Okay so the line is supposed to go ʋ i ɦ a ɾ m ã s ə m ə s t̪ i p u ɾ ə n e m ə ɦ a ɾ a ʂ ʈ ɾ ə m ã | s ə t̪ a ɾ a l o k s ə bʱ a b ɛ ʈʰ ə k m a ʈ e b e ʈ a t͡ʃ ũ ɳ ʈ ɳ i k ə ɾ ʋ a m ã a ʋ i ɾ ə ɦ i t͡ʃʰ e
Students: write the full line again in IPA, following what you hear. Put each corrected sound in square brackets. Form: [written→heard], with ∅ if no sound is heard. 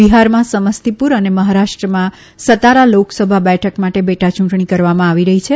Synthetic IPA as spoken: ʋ i ɦ a ɾ m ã s ə m ə s t̪ i p u ɾ ə n e m ə ɦ a ɾ a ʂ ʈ ɾ ə m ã | s ə t̪ a ɾ a l o k s ə bʱ a b ɛ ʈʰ ə k m a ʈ e b e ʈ a t͡ʃ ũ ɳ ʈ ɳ i k ə ɾ ʋ a m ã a ʋ i ɾ ə ɦ i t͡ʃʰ e